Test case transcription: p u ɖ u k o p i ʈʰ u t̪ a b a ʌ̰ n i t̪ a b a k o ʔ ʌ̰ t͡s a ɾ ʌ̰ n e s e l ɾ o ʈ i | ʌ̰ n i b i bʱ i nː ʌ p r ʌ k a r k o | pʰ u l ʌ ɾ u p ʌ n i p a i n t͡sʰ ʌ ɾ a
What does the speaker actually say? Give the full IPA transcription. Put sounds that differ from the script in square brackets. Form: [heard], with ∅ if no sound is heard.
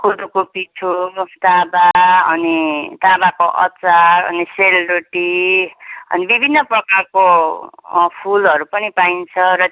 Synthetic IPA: [k] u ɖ u k o p i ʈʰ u t̪ a b a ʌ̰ n i t̪ a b a k o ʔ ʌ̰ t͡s a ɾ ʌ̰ n [i] s e l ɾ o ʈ i | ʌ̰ n i b i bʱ i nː ʌ p r ʌ k a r k o | pʰ u l ʌ ɾ u p ʌ n i p a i n t͡sʰ ʌ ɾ [ʌ]